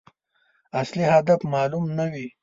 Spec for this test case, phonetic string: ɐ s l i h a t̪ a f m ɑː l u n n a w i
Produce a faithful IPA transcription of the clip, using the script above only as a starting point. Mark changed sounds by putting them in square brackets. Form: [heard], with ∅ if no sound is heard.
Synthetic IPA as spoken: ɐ s l i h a [d̪] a f m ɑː l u [m] n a w i